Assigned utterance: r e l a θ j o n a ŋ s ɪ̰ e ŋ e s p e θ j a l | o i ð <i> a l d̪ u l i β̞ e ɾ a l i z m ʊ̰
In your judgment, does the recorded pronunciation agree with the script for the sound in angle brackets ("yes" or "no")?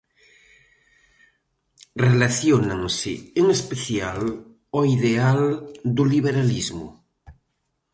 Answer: no